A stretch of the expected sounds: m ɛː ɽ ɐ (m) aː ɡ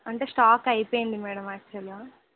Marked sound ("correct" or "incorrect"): correct